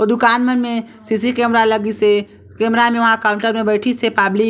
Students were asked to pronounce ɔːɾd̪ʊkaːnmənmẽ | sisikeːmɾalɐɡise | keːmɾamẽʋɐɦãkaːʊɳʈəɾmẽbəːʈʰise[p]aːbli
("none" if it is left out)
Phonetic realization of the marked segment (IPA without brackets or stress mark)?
p